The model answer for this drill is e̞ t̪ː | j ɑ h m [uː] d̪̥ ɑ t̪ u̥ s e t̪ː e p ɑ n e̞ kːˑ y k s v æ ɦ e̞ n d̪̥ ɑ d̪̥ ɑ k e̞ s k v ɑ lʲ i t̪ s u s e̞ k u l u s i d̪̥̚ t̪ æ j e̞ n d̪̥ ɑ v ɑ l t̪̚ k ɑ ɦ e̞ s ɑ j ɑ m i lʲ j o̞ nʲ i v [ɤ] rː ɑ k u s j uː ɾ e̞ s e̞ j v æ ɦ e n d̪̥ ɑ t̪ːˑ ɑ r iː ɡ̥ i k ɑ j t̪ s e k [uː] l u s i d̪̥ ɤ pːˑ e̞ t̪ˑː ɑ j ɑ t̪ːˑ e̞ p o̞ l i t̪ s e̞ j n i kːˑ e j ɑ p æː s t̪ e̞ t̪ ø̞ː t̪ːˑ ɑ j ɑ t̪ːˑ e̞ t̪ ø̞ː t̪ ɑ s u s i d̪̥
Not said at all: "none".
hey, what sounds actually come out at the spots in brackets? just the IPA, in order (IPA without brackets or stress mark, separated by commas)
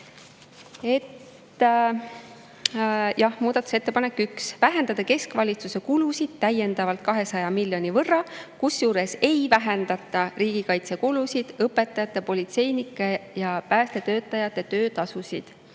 uː, ɤ, u